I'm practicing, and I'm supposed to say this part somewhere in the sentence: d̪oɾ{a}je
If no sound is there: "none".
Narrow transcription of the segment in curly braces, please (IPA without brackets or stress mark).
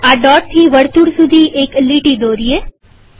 i